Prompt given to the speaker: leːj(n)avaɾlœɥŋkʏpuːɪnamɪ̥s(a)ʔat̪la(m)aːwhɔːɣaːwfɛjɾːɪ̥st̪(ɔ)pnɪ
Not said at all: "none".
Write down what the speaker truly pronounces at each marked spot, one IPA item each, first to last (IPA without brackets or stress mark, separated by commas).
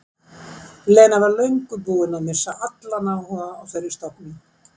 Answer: n, a, n, ɔ